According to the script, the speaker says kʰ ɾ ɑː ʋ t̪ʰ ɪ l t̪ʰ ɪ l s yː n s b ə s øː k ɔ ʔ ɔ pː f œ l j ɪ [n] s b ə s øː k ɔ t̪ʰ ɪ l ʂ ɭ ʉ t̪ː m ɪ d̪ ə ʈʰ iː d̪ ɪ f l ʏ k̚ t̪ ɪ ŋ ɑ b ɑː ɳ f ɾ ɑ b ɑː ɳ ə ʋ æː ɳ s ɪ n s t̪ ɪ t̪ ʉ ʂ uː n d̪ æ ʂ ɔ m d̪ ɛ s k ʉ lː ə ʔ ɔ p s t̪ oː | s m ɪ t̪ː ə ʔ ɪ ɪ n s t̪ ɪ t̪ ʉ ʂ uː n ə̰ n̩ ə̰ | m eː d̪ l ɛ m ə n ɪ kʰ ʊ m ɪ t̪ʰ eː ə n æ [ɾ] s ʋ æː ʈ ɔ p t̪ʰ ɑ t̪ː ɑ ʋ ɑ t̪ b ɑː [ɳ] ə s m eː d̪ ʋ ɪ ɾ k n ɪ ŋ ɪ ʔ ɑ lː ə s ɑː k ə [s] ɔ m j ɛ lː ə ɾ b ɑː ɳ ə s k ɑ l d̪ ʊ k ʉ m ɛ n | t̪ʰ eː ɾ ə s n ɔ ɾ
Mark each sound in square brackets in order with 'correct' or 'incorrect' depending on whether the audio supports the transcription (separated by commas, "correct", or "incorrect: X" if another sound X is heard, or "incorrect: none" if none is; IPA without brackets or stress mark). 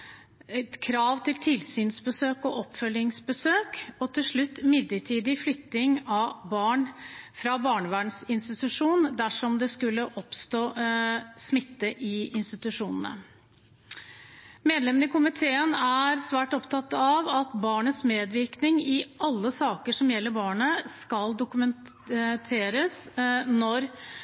incorrect: ŋ, correct, correct, incorrect: ʂ